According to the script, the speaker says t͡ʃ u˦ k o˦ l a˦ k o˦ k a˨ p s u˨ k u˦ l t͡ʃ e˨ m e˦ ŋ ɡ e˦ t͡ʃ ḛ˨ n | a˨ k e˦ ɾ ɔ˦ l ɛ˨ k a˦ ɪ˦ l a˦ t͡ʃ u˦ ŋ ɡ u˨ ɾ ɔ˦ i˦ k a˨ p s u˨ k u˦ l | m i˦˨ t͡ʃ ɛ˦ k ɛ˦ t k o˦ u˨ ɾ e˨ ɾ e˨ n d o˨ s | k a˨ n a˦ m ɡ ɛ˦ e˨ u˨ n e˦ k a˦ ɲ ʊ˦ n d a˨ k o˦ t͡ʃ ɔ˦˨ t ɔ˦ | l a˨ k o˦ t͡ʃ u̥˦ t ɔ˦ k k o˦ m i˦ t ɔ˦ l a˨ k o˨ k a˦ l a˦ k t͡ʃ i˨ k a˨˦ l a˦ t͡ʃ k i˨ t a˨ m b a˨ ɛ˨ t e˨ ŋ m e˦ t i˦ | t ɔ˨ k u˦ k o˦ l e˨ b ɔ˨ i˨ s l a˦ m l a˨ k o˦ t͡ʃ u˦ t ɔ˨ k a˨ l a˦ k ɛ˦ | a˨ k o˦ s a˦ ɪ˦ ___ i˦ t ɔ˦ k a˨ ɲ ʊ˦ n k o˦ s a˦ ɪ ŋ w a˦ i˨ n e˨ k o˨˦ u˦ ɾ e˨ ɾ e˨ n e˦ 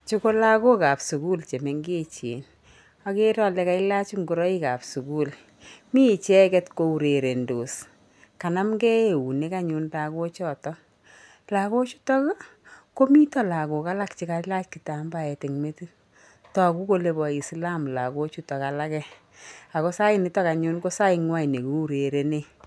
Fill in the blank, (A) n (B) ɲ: A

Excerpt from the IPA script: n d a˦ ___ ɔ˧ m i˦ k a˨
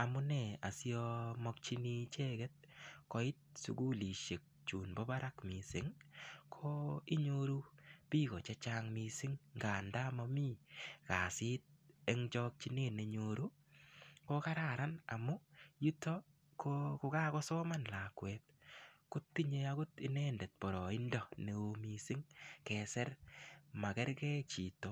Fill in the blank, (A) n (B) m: B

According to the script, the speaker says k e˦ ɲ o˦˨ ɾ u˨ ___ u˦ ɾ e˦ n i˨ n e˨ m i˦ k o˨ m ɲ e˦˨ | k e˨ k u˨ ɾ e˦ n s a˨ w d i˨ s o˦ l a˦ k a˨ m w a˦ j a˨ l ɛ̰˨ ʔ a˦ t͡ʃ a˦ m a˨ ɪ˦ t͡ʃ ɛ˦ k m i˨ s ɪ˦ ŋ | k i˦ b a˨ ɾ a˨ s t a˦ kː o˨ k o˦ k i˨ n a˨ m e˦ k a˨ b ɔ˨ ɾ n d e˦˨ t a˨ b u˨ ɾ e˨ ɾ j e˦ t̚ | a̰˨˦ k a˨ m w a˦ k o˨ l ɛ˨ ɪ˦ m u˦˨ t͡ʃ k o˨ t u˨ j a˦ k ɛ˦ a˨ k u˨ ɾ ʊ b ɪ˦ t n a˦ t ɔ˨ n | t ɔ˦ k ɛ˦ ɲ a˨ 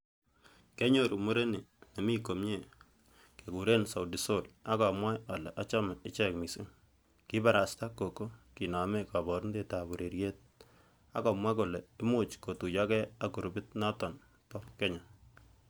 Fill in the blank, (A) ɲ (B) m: B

